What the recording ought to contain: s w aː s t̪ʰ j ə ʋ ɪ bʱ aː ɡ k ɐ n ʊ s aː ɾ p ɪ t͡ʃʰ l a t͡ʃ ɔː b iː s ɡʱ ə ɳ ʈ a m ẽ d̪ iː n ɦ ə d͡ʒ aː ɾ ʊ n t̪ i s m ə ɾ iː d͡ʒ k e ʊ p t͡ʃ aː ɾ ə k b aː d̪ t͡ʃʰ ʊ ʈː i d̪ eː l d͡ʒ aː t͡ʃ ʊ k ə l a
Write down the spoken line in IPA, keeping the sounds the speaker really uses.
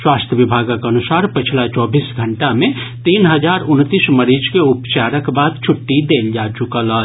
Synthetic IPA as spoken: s w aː s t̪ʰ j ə ʋ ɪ bʱ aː ɡ k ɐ n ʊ s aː ɾ p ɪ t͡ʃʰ l a t͡ʃ ɔː b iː s ɡʱ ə ɳ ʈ a m ẽ t̪ iː n ɦ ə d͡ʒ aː ɾ ʊ n t̪ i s m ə ɾ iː d͡ʒ k e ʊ p t͡ʃ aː ɾ ə k b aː d̪ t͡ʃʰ ʊ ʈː i d̪ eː l d͡ʒ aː t͡ʃ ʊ k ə l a